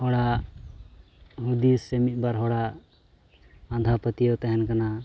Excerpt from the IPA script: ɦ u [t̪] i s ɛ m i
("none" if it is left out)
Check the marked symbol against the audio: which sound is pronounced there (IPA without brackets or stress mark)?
d̪